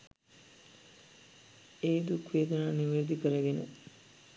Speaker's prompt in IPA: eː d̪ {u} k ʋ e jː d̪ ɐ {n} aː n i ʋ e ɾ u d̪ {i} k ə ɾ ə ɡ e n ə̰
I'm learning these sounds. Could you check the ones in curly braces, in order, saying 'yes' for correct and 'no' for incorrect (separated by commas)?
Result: yes, yes, yes